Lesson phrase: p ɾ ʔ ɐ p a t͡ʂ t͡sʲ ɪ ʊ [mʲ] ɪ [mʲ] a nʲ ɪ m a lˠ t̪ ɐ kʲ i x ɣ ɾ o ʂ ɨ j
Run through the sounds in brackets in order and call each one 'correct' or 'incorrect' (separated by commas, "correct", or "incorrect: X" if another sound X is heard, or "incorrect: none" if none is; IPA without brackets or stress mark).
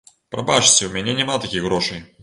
correct, incorrect: nʲ